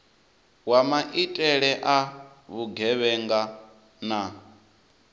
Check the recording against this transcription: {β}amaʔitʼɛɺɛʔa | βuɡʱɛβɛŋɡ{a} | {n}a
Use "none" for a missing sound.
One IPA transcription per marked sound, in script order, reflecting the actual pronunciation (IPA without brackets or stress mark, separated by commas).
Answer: w, a, n